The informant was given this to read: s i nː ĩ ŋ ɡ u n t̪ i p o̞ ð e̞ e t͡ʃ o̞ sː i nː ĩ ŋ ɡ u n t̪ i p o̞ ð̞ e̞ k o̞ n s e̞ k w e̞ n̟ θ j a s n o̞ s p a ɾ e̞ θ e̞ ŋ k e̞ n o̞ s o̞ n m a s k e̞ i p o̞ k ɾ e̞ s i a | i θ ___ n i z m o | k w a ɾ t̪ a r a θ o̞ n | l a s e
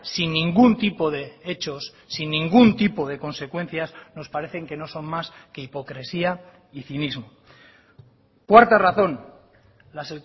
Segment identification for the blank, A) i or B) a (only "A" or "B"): A